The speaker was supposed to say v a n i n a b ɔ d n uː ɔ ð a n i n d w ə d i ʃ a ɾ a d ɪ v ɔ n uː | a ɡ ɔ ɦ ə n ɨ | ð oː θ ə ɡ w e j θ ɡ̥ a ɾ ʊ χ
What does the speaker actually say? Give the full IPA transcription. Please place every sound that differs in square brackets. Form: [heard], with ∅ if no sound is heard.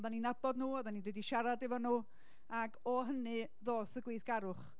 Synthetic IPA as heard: [ð] a n i n a b ɔ d n uː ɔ ð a n i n d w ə d i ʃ a ɾ a d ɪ v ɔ n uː | a ɡ ɔ ɦ ə n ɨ | ð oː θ ə ɡ w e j θ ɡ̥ a ɾ ʊ χ